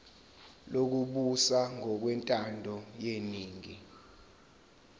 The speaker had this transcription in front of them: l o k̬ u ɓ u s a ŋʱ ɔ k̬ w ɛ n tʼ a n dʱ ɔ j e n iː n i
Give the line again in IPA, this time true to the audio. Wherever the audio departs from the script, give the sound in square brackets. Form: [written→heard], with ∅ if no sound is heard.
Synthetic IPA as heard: l o k̬ u ɓ u s a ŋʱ ɔ k̬ w ɛ n tʼ a n dʱ ɔ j e n iː [n→ŋ] i